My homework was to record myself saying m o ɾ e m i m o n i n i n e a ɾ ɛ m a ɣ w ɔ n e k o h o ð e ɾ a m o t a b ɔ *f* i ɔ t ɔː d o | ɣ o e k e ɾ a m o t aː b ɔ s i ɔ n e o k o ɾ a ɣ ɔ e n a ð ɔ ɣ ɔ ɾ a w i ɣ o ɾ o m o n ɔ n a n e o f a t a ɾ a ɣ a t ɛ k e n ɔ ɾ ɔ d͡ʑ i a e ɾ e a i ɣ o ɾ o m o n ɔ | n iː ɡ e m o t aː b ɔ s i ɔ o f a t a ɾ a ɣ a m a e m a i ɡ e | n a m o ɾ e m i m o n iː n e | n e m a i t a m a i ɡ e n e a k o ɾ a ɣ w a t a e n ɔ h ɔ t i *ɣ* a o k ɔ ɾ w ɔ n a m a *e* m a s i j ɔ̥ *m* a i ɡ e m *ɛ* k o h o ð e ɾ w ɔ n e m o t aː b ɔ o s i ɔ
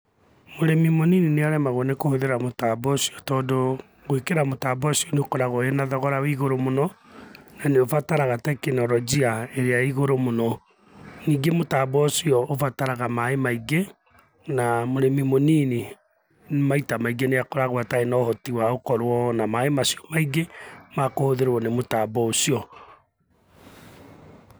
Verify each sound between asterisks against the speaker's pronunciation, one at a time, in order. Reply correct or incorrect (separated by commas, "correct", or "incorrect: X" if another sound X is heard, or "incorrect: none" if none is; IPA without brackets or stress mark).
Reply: incorrect: s, incorrect: w, correct, correct, incorrect: a